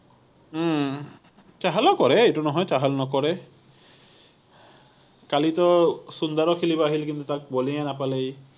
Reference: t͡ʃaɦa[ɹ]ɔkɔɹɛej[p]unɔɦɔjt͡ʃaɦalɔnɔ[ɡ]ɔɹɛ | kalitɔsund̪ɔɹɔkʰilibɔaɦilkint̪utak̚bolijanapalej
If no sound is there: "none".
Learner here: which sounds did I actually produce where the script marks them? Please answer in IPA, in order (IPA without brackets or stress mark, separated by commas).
l, t, k